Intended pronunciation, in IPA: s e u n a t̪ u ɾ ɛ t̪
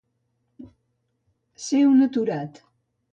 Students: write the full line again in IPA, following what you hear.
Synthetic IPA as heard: s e w n ə t̪ u ɾ a t̪